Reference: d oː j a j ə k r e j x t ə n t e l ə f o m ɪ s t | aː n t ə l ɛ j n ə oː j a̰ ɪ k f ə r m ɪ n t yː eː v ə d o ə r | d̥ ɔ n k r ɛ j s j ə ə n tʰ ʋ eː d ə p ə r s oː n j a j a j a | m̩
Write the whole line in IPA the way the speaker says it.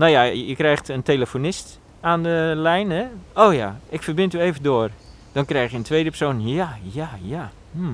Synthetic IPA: n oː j a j ə k r ɛ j x t ə n t e l ə f o n ɪ s t | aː n d ə l ɛ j n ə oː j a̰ ɪ k f ə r b ɪ n t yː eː v ə d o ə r | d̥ ɔ n k r ɛ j x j ə ə n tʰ ʋ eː d ə p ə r s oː n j a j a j a | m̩